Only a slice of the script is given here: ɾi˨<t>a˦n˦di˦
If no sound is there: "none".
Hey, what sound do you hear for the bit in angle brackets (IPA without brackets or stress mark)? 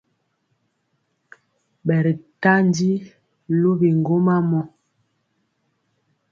t